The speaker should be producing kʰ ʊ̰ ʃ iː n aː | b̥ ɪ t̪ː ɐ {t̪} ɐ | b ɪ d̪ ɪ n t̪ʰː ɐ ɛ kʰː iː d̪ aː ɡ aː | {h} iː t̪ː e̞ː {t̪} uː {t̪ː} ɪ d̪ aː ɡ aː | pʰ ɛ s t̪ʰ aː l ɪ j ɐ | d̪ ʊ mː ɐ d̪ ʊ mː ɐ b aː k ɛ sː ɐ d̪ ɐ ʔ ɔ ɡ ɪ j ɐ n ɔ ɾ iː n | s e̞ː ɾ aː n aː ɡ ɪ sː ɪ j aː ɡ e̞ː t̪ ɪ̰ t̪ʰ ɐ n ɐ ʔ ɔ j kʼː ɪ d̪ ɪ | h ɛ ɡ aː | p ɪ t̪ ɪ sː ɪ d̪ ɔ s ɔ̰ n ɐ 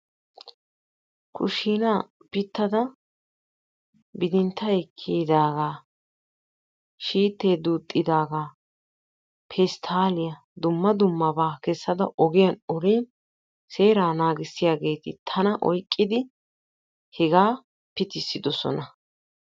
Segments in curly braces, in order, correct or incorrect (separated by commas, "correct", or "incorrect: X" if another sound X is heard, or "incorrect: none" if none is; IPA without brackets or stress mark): incorrect: d̪, incorrect: ʃ, incorrect: d̪, incorrect: t̪ʼː